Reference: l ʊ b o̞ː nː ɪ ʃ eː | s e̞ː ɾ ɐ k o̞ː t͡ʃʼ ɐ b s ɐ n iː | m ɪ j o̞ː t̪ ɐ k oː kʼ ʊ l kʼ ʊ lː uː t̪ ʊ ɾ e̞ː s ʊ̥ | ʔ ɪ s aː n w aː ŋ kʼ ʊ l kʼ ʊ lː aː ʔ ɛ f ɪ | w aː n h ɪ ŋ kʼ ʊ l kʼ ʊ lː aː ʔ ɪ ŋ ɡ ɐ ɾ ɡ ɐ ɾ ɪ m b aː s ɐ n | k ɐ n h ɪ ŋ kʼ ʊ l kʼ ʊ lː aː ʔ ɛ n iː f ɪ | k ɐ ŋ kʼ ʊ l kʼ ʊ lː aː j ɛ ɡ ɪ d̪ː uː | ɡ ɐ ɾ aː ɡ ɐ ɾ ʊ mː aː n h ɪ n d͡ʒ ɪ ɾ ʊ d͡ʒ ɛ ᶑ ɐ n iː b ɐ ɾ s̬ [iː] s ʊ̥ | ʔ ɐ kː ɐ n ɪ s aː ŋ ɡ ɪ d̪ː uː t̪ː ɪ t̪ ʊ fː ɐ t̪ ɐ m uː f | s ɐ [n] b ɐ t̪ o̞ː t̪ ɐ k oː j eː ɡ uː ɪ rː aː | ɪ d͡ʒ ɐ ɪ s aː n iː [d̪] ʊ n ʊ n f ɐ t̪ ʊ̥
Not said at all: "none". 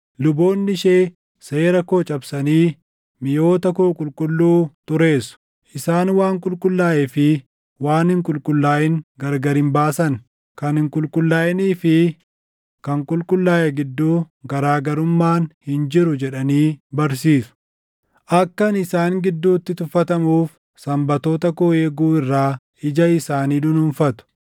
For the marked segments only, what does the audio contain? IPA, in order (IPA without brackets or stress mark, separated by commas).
iː, m, d̪